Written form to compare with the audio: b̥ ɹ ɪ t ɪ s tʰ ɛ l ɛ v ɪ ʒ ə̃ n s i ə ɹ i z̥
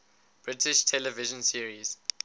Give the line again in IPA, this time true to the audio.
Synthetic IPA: b̥ ɹ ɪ t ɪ ʃ tʰ ɛ l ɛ v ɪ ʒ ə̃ n s i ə ɹ i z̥

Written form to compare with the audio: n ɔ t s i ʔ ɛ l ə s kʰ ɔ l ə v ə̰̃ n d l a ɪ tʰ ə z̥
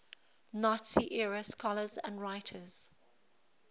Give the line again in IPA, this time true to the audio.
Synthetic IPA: n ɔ t s i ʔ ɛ ɹ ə s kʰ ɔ l ə z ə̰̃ n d ɹ a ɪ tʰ ə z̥

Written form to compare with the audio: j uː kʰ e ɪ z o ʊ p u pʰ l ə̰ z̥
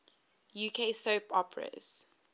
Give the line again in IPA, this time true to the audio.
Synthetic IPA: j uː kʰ e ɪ s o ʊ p ɔ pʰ ɹ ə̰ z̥

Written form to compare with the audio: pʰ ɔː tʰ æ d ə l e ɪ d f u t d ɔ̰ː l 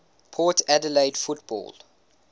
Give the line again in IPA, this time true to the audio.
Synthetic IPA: pʰ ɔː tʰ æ d ə l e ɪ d f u t b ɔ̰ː l

